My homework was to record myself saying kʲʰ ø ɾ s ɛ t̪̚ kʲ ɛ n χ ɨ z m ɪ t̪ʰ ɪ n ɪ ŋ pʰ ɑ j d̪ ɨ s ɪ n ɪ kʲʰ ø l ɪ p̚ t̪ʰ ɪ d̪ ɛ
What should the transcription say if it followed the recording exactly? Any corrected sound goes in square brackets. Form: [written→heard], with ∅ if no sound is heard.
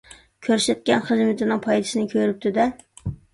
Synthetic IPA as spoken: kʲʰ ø ɾ s ɛ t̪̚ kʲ ɛ n χ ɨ z m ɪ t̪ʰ ɪ n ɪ ŋ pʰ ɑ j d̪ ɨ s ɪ n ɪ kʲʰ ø [l→ɾ] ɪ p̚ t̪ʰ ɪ d̪ ɛ